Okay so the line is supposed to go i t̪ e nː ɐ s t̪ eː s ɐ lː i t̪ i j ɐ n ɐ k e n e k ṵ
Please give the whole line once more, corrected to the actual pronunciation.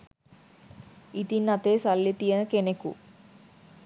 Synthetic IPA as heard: i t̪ i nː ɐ t̪ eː s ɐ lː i t̪ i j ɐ n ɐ k e n e k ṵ